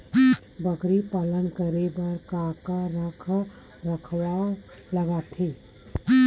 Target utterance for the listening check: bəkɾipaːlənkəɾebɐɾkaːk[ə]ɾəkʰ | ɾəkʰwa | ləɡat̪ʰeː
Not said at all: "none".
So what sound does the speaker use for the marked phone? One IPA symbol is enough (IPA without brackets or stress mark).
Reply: a